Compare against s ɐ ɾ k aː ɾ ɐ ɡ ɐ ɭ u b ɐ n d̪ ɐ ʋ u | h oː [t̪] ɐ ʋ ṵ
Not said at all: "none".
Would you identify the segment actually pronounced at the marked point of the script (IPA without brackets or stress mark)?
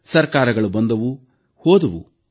d̪